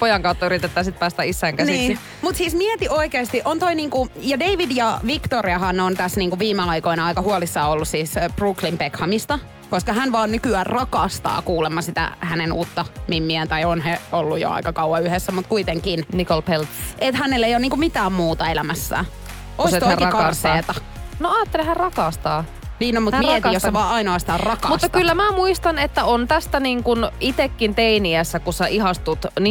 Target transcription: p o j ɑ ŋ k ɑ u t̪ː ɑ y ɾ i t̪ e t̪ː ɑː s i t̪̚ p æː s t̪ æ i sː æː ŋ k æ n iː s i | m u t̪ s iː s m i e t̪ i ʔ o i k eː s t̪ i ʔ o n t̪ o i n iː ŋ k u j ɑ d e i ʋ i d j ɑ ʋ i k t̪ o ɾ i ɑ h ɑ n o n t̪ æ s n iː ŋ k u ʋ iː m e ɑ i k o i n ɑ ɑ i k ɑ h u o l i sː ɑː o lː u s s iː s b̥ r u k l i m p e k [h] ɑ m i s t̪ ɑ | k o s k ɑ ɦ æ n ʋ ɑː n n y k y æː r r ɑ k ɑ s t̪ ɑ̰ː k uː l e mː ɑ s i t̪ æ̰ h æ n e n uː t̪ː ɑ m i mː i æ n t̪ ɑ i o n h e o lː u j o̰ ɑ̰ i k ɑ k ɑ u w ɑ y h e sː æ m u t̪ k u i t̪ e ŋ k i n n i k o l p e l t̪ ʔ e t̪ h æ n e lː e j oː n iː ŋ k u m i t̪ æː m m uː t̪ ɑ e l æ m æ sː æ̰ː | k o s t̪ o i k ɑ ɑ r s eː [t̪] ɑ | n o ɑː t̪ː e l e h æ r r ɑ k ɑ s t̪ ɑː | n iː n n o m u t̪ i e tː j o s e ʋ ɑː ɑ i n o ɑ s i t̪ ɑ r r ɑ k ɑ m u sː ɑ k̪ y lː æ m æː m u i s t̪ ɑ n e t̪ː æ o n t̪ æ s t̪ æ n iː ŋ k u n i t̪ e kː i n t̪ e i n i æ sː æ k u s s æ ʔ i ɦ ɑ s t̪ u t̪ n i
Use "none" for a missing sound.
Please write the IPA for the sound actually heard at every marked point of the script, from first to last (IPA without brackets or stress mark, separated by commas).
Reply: h, t̪